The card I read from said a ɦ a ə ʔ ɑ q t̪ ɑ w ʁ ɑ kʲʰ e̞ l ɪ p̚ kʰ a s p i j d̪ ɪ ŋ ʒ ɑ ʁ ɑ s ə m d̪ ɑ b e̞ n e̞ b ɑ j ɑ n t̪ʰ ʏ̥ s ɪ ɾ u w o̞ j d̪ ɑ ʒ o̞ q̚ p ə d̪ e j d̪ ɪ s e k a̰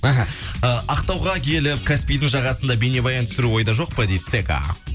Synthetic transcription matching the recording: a ɦ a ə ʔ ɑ q t̪ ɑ w ʁ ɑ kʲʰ e̞ l ɪ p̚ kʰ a s p i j d̪ ɪ ŋ ʒ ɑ ʁ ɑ s ə n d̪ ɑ b e̞ n e̞ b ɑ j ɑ n t̪ʰ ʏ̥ s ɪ ɾ u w o̞ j d̪ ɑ ʒ o̞ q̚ p ə d̪ e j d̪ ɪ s e k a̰